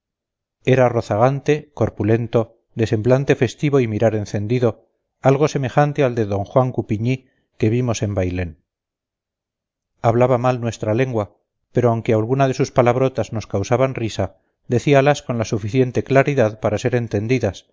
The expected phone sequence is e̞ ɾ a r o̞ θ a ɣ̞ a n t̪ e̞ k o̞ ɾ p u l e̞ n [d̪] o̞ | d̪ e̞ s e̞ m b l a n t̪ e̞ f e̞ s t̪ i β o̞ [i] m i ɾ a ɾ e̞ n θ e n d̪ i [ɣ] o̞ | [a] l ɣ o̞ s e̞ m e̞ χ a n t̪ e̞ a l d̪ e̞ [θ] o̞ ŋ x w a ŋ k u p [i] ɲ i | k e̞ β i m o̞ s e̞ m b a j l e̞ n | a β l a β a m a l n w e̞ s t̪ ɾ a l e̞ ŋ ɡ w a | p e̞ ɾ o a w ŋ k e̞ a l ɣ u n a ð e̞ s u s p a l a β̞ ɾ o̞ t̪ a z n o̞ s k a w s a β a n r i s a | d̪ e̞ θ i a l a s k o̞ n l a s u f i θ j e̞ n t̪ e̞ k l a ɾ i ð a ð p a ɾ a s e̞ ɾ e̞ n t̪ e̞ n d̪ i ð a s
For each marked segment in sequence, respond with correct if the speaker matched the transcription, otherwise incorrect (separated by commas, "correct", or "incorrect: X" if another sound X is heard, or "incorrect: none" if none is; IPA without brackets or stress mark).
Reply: incorrect: t̪, correct, incorrect: ð, correct, incorrect: ð, correct